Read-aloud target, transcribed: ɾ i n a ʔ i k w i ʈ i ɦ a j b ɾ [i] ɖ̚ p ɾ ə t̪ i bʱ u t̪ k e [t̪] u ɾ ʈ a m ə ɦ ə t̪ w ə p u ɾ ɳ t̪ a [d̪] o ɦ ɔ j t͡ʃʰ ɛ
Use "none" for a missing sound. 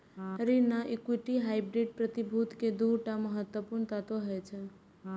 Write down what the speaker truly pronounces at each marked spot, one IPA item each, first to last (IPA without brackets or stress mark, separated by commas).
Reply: i, d̪, t̪